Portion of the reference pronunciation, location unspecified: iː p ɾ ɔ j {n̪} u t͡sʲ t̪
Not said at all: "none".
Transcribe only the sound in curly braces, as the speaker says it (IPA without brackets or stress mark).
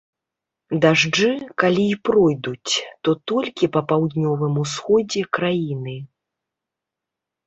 d̪